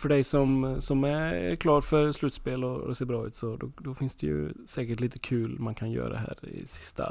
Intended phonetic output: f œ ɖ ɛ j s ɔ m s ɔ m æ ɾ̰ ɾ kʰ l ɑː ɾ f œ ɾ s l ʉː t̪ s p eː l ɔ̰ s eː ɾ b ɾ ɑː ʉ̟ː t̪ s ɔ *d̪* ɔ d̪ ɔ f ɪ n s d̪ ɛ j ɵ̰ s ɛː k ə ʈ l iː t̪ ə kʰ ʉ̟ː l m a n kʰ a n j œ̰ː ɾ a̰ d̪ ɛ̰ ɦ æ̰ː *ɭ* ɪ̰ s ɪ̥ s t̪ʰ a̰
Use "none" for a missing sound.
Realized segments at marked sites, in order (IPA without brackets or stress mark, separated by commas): d̪, ɾ